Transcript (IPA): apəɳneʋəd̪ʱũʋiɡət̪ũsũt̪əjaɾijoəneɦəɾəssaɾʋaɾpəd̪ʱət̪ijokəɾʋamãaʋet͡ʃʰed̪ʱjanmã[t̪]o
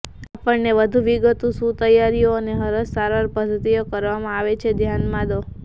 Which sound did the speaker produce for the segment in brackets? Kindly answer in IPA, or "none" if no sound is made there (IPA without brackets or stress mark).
d̪